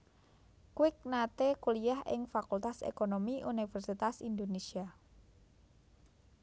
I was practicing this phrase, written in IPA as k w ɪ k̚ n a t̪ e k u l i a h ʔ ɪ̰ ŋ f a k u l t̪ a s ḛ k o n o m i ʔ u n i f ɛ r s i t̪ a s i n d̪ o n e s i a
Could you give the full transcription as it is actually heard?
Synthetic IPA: k w ɪ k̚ n a t̪ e k u l i a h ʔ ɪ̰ ŋ f a k u l t̪ a s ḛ k o n o m i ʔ u n i f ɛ r s i t̪ a s i n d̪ o n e s i a